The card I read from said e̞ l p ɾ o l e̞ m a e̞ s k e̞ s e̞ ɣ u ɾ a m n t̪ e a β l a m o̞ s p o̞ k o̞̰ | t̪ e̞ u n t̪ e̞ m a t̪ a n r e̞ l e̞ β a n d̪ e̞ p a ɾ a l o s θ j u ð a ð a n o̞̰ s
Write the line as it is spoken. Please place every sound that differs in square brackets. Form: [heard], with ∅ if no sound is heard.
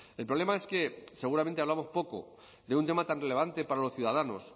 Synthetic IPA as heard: e̞ l p ɾ o l e̞ m a e̞ s k e̞ s e̞ ɣ u ɾ a m n t̪ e a β l a m o̞ s p o̞ k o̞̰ | [d̪] e̞ u n t̪ e̞ m a t̪ a n r e̞ l e̞ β a n [t̪] e̞ p a ɾ a l o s θ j u ð a ð a n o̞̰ s